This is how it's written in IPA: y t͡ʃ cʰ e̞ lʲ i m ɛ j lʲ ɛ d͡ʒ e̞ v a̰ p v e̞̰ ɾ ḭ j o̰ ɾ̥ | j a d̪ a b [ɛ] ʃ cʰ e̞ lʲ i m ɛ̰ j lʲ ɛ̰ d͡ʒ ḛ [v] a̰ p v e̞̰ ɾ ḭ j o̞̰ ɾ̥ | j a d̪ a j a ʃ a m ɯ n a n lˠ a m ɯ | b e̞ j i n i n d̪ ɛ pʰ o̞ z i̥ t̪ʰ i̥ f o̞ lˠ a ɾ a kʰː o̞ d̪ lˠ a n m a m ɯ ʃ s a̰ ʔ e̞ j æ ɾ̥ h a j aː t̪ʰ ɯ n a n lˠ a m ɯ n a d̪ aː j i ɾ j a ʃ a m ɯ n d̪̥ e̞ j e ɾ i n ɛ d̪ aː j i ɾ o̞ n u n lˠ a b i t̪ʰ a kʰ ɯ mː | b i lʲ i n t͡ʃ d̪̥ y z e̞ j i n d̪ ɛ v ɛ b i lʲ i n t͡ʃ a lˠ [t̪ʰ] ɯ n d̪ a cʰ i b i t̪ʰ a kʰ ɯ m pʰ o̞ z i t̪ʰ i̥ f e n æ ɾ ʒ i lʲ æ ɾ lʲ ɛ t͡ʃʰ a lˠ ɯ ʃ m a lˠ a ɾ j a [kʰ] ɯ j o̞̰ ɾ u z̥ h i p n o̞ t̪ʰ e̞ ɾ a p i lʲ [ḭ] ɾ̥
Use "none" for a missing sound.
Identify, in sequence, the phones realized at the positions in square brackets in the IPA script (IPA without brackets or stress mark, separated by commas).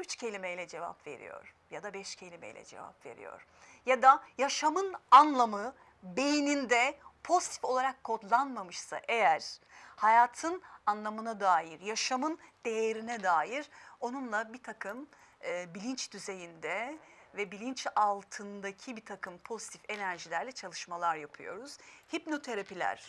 ɛ, v, t̪ʰ, pʰ, æ̰